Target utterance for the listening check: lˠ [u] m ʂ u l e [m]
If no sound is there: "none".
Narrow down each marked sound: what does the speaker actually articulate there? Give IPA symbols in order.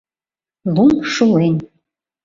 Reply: u, n

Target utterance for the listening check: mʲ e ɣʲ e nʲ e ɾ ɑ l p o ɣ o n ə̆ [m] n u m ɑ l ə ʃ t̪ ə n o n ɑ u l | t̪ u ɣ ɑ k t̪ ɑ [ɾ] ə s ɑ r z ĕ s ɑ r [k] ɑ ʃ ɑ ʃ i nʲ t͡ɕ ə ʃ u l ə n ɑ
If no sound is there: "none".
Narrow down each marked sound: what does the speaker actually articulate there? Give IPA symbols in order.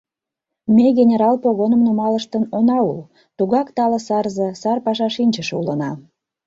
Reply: m, l, p

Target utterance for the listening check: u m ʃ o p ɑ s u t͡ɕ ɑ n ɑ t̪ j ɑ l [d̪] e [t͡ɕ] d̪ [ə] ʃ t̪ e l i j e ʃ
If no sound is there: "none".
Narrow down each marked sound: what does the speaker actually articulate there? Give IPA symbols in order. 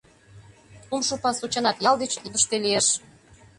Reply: d̪, t͡ɕ, ə

